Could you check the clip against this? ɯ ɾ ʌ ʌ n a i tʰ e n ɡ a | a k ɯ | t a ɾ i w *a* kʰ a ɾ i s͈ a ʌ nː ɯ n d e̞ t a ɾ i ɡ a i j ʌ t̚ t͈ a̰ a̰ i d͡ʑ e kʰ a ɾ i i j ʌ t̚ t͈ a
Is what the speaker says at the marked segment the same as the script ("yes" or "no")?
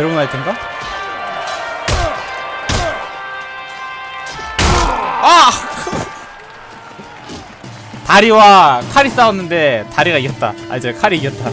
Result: yes